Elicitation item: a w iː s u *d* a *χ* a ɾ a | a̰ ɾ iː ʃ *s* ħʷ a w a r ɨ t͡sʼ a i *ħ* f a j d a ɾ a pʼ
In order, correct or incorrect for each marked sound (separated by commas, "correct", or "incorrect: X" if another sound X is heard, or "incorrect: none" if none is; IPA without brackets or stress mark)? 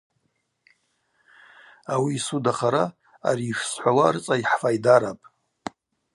correct, correct, correct, correct